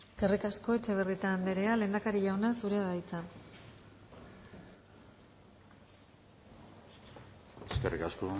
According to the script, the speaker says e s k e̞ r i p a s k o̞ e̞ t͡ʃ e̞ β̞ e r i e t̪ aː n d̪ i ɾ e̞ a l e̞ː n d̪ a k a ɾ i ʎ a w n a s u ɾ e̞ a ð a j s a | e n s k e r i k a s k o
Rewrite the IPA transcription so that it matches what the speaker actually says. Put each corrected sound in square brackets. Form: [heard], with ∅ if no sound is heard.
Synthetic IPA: e s k e̞ r i [k] a s k o̞ e̞ t͡ʃ e̞ β̞ e r i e t̪ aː n d̪ [e] ɾ e̞ a l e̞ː n d̪ a k a ɾ i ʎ a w n a s u ɾ e̞ a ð a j [t͡s] a | e [∅] s k e r i k a s k o